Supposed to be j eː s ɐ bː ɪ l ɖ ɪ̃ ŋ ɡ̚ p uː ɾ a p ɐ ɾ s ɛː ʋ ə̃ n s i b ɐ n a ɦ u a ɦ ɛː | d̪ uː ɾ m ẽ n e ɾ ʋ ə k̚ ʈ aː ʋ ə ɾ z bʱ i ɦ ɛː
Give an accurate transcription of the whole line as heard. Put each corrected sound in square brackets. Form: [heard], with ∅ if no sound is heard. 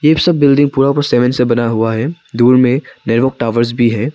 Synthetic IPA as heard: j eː s ɐ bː ɪ l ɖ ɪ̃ ŋ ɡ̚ p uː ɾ a p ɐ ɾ s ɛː ʋ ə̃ n s [e] b ɐ n a ɦ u a ɦ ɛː | d̪ uː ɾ m ẽ n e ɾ ʋ ə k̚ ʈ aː ʋ ə ɾ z bʱ i ɦ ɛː